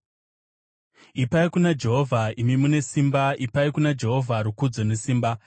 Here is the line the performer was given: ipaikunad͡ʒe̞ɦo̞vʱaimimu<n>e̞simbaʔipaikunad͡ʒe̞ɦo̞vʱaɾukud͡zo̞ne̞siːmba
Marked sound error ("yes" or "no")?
no